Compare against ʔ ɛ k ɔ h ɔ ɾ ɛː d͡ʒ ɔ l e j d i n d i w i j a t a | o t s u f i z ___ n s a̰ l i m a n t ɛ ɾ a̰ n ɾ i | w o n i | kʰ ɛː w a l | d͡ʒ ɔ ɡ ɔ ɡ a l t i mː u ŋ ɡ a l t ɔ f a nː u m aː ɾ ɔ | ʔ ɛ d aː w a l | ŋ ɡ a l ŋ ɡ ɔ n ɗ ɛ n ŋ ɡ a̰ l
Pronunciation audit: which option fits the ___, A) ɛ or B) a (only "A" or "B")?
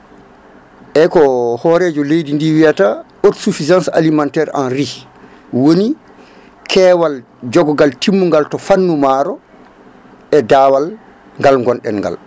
B